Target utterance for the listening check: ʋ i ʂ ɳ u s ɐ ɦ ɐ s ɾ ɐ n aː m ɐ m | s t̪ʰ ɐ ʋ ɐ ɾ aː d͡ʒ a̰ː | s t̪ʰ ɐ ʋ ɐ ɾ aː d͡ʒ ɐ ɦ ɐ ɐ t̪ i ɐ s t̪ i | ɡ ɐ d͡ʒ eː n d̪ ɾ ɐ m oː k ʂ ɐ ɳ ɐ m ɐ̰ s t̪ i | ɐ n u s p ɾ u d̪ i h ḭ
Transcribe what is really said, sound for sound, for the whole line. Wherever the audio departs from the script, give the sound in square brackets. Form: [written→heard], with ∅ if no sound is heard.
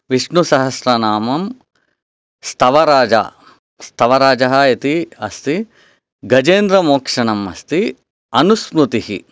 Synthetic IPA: ʋ i ʂ ɳ u s ɐ ɦ ɐ s ɾ ɐ n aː m ɐ m | s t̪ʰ ɐ ʋ ɐ ɾ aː d͡ʒ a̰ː | s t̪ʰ ɐ ʋ ɐ ɾ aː d͡ʒ ɐ ɦ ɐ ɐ t̪ i ɐ s t̪ i | ɡ ɐ d͡ʒ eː n d̪ ɾ ɐ m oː k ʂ ɐ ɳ ɐ m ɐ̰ s t̪ i | ɐ n u s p ɾ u [d̪→t̪] i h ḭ